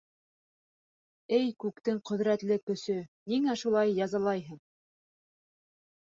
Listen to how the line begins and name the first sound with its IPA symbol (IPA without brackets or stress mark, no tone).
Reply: ɘ